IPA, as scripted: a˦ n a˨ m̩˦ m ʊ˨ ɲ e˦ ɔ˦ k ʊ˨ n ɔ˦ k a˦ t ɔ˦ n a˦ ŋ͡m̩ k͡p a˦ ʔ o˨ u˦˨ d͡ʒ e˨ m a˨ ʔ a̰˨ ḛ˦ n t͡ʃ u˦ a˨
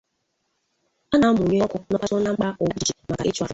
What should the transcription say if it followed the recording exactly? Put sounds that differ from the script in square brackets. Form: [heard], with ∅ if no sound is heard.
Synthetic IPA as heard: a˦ n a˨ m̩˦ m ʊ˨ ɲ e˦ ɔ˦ k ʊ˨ n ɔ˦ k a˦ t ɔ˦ n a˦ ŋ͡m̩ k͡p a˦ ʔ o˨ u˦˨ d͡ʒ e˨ m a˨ [k] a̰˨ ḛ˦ [∅] t͡ʃ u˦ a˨